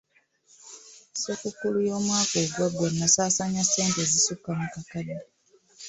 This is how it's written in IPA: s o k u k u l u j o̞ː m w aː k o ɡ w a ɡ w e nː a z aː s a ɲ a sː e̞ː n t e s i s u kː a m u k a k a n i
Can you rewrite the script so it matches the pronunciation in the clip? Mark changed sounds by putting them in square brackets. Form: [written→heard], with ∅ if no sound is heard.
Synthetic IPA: s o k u k u l u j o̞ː m w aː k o ɡ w a ɡ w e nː a [z→s] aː s a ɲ a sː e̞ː n t e [s→z] i s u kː a m u k a k a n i

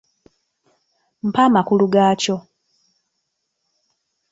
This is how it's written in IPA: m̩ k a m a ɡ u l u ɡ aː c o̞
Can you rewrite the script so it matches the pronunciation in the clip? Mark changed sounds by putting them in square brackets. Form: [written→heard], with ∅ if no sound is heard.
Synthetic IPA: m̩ [k→p] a m a [ɡ→k] u l u ɡ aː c o̞

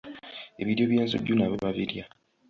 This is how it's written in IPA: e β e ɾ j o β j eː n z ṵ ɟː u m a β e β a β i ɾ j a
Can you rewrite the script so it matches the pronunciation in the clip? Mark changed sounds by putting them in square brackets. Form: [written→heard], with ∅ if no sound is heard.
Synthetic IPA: e β [e→i] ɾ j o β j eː n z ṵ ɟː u [m→n] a β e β a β i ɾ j a

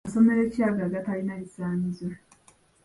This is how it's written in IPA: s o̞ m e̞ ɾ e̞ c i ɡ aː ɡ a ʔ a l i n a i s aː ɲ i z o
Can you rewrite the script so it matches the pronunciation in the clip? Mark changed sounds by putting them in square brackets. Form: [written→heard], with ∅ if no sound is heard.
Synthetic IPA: s o̞ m e̞ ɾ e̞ c [i→a] ɡ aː ɡ a [ʔ→t] a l i n a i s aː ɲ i z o

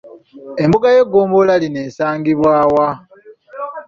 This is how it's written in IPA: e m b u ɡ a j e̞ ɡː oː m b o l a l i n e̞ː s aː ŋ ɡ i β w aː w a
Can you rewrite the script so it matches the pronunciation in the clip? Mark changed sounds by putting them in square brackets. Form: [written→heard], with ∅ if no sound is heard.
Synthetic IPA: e m b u ɡ a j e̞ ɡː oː m b o l a l i n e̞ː s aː ŋ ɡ i β w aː w a

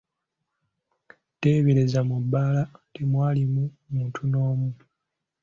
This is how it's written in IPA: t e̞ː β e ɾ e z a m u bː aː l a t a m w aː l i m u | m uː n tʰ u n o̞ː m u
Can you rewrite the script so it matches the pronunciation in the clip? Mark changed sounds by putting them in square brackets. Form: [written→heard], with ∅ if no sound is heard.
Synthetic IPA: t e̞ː β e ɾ e z a m u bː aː l a t [a→e] m w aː l i m u | m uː n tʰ u n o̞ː m u

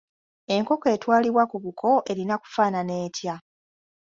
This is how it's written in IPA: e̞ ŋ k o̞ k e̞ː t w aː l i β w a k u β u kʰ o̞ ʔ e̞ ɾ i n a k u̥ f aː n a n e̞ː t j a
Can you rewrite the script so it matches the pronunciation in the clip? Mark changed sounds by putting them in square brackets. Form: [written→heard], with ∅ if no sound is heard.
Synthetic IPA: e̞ ŋ k o̞ k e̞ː t w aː l i β w a k u β u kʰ o̞ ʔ e̞ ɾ i n a k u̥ f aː n a n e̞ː t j a

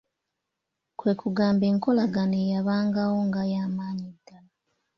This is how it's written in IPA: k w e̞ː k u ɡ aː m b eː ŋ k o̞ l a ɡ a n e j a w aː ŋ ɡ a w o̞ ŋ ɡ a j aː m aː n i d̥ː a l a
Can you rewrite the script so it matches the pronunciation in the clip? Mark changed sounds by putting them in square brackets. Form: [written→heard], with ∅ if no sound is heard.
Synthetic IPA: k w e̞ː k u ɡ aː m b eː ŋ k o̞ l a ɡ a n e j a [w→β] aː ŋ ɡ a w o̞ ŋ ɡ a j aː m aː [n→ɲ] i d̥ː a l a

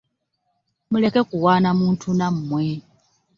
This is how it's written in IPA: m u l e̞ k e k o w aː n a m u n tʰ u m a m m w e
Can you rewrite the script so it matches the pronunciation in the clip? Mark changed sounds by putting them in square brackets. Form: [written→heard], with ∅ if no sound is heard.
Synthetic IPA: m u l e̞ k e k [o→u] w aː n a m [u→uː] n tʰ u [m→n] a m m w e

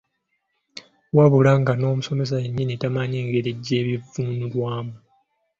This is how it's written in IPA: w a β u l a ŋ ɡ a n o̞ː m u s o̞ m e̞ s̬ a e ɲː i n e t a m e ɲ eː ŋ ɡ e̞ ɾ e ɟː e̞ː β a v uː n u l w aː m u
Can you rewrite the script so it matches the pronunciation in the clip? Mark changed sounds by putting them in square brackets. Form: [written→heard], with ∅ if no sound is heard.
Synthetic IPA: w a β u l a ŋ ɡ a n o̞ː m u s o̞ m e̞ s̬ a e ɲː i n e t a m [e→a] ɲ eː ŋ ɡ e̞ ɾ e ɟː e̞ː β [a→i] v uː n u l w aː m u

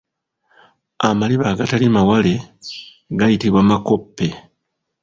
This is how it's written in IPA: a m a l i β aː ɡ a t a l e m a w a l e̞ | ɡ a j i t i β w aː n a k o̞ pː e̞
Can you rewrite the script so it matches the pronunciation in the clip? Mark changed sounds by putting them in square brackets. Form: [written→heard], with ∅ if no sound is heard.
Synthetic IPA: a m a l i β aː ɡ a t a l [e→i] m a w a l e̞ | ɡ a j i t i β w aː [n→m] a k o̞ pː e̞

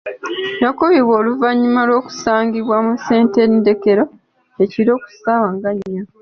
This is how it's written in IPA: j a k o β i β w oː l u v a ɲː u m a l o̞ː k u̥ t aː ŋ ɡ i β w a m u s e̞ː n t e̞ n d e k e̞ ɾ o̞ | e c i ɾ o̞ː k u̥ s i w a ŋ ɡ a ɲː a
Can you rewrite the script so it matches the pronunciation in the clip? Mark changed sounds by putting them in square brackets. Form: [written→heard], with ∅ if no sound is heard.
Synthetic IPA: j a k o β i β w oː l u v a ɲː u m a l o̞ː k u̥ [t→s] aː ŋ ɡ i β w a m u s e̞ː n t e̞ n d e k e̞ ɾ o̞ | e c i ɾ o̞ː k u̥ s [i→a] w a ŋ ɡ a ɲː a

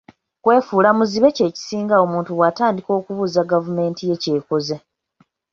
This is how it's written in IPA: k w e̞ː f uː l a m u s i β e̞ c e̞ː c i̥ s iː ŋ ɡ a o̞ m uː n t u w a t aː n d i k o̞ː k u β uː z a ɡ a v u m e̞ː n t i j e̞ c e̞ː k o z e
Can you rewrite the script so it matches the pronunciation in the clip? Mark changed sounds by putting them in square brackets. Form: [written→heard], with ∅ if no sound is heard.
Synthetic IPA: k w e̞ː f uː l a m u [s→z] i β e̞ c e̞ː c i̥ s iː ŋ ɡ a o̞ m uː n t u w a t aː n d i k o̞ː k u β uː z a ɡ a v u m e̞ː n t i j e̞ c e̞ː k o z e

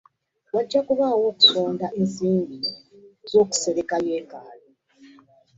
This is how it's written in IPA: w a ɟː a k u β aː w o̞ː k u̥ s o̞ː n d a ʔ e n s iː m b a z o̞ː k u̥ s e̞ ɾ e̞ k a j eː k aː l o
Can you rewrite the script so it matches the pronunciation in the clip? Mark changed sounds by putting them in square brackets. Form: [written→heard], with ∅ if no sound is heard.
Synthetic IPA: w a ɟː a k u β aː w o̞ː k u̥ s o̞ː n d a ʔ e n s iː m b [a→i] z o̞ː k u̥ s e̞ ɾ e̞ k a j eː k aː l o

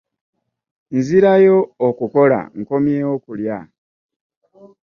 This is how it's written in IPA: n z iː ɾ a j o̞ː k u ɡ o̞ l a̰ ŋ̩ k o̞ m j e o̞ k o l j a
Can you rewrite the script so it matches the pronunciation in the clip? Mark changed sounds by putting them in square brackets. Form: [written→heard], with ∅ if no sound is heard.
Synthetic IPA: n z [iː→i] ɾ a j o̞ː k u [ɡ→k] o̞ l a̰ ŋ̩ k o̞ m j e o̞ k [o→u] l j a

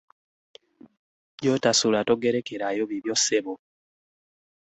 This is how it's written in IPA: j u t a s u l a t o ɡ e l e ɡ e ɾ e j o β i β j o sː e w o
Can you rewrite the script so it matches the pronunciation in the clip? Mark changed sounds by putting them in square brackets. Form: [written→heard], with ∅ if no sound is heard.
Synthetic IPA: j [u→o] t a s u l a t o ɡ e [l→ɾ] e [ɡ→k] e ɾ [e→a] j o β i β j o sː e [w→β] o

